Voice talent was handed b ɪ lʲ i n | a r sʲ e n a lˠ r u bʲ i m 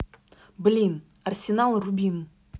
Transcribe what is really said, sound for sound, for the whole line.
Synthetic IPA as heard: b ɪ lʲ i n | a r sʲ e n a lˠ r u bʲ i n